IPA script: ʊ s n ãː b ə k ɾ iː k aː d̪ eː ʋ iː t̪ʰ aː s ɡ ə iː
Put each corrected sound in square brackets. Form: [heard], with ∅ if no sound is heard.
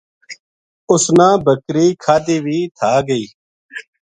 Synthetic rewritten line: ʊ s n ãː b ə k ɾ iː [kʰ] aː d̪ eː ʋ iː t̪ʰ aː [∅] ɡ ə iː

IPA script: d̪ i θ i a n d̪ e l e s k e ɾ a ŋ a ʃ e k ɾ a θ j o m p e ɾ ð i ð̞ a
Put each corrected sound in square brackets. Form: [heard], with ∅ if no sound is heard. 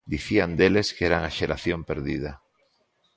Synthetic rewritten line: d̪ i θ i a n d̪ e l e s k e ɾ a ŋ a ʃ e [∅] ɾ a θ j o m p e ɾ ð i ð̞ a

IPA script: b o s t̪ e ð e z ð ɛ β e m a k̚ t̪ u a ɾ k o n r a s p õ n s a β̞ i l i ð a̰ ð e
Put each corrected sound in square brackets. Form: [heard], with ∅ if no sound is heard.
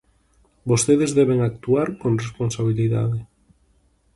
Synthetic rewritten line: b o s t̪ e ð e z ð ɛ β e [ŋ] a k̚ t̪ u a ɾ k o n r [e] s p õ n s a β̞ i l i ð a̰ ð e

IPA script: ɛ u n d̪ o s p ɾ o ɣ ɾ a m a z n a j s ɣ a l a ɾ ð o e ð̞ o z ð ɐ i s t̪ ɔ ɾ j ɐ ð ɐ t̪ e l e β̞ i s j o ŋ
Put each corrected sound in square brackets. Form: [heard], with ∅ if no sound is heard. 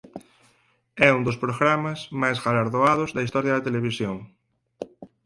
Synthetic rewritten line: ɛ u n d̪ o s p ɾ o ɣ ɾ a m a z [m] a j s ɣ a l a ɾ ð o [a] ð̞ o z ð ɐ i s t̪ ɔ ɾ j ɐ ð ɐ t̪ e l e β̞ i s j o ŋ

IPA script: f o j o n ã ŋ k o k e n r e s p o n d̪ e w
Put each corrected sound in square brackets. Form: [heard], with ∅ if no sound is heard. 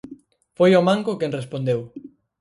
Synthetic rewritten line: f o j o [m] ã ŋ k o k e n r e s p o n d̪ e w

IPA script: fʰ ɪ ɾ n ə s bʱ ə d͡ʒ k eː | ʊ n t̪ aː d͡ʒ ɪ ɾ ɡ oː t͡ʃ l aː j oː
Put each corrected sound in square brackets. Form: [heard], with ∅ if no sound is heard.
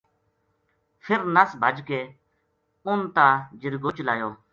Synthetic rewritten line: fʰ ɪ ɾ n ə s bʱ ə d͡ʒ k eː | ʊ n t̪ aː d͡ʒ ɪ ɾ ɡ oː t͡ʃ l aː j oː

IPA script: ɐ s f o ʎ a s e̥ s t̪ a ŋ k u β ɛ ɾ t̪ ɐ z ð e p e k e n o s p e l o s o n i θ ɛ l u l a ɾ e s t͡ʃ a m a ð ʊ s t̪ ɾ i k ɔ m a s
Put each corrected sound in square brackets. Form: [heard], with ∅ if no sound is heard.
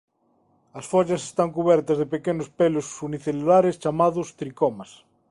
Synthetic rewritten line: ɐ s f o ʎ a s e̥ s t̪ a ŋ k u β ɛ ɾ t̪ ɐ z ð e p e k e n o s p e l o s [u] n i θ [e] l u l a ɾ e s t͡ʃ a m a ð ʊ s t̪ ɾ i k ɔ m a s

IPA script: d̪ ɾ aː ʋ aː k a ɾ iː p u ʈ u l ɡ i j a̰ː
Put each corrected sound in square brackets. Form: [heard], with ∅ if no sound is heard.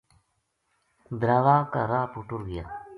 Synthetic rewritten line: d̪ ɾ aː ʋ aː k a ɾ [aː] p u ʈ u [ɾ] ɡ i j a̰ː

